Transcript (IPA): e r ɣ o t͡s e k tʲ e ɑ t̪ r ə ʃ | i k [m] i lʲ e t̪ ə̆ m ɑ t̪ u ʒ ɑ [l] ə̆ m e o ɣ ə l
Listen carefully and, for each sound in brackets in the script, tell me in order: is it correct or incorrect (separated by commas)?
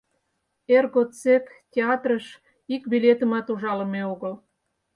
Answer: incorrect, correct